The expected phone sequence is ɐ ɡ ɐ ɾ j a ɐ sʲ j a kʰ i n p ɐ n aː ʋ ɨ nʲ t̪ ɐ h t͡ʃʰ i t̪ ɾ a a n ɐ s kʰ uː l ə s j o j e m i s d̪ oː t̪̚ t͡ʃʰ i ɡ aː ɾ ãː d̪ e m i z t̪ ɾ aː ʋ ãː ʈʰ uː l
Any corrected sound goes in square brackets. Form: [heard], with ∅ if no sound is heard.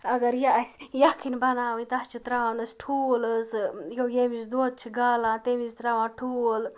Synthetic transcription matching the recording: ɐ ɡ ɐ ɾ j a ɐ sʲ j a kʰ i n [b] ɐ n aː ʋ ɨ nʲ t̪ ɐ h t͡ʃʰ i t̪ ɾ a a n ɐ s [ʈʰ] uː l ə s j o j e m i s d̪ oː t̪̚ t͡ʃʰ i ɡ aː [l] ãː [t̪] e m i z t̪ ɾ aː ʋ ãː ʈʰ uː l